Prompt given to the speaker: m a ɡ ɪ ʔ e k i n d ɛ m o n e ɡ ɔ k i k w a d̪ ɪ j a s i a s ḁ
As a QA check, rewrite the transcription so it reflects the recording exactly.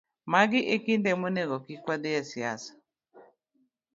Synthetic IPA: m a ɡ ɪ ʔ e k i n d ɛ m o n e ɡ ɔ k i k w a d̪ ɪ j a s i a s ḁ